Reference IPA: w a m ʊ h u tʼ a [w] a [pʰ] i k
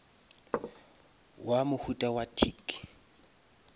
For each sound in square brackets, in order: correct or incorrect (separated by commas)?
correct, incorrect